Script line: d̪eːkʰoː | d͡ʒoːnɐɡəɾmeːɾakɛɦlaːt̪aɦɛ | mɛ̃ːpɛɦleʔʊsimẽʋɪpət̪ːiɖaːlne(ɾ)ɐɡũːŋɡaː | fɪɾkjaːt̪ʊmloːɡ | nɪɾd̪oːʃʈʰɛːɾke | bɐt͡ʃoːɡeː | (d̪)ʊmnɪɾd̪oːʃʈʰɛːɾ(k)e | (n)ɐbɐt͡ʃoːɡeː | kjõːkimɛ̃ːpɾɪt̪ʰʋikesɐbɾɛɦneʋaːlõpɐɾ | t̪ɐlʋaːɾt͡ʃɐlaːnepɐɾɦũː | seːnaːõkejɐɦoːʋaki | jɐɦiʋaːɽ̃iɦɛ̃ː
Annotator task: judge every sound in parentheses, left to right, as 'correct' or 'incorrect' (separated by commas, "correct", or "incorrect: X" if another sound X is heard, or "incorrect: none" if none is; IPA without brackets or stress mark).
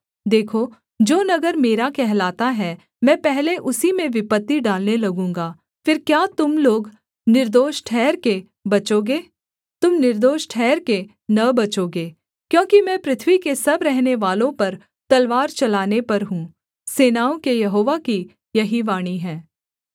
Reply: incorrect: l, incorrect: t̪, correct, correct